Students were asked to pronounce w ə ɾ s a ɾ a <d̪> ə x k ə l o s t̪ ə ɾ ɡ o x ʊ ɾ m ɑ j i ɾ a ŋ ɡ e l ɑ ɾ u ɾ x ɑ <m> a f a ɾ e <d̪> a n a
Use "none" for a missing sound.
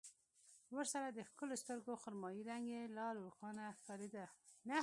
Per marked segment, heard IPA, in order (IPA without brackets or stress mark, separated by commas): d̪, n, d̪